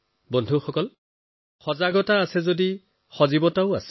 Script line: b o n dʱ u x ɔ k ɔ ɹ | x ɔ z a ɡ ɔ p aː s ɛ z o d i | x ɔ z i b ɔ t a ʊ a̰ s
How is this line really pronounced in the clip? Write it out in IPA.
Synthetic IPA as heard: b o n dʱ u x ɔ k ɔ l | x ɔ z a ɡ ɔ t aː s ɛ z o d i | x ɔ z i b ɔ t a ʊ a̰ s